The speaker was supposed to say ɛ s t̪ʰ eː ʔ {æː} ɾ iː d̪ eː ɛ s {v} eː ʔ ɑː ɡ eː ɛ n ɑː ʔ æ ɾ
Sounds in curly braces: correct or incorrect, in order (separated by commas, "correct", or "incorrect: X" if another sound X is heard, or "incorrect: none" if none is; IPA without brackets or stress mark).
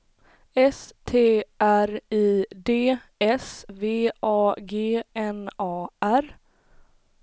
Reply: incorrect: æ, correct